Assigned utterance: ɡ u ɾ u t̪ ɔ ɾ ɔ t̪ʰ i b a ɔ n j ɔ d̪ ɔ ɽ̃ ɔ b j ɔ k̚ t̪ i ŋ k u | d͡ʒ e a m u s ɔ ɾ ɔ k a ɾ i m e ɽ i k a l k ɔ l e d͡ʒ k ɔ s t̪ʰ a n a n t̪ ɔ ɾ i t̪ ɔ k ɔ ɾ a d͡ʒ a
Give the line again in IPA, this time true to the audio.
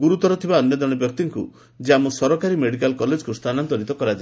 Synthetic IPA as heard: ɡ u ɾ u t̪ ɔ ɾ ɔ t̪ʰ i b a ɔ n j ɔ d̪ ɔ ɽ̃ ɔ b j ɔ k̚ t̪ i ŋ k u | d͡ʒ e a m u s ɔ ɾ ɔ k a ɾ i m e ɽ i k a l k ɔ l e d͡ʒ k u s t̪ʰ a n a n t̪ ɔ ɾ i t̪ ɔ k ɔ ɾ a d͡ʒ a